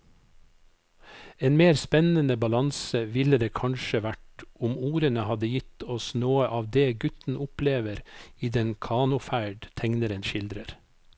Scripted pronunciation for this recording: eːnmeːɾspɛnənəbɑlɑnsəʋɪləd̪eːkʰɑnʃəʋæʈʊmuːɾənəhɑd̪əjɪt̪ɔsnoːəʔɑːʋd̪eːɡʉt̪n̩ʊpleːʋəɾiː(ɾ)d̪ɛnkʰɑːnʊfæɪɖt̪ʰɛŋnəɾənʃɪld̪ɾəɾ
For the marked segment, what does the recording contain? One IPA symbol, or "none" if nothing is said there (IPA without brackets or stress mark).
none